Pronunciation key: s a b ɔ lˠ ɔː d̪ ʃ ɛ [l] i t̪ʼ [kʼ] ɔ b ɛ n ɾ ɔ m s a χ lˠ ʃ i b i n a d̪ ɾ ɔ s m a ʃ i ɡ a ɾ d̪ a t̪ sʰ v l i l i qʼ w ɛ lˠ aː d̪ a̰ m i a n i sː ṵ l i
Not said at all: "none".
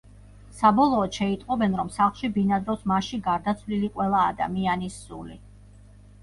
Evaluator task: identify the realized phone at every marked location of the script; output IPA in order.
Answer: none, qʼ

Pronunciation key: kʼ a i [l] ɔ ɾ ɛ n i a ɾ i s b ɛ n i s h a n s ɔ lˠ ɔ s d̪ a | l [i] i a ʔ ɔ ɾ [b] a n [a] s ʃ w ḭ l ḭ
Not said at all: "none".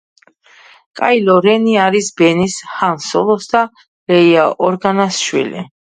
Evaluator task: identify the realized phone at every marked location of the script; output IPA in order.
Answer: l, ɛ, ɡ, a

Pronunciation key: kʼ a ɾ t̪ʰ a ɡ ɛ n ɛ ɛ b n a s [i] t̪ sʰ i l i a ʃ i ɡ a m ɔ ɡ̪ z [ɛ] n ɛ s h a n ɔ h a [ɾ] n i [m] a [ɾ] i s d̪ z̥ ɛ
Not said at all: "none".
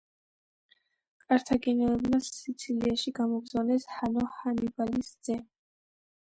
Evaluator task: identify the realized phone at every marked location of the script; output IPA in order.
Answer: i, a, none, b, l

